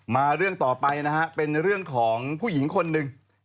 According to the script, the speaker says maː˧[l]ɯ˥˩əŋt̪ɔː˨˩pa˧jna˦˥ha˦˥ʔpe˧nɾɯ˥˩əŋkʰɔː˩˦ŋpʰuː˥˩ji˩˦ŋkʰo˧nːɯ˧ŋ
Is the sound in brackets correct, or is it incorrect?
incorrect